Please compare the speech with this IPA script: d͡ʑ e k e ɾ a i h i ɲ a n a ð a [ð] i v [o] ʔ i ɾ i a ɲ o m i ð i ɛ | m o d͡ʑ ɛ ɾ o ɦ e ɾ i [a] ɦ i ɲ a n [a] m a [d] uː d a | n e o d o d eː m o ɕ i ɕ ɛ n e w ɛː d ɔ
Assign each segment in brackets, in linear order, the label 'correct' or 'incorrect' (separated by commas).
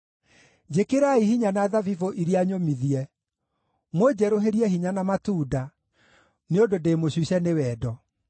incorrect, correct, incorrect, correct, incorrect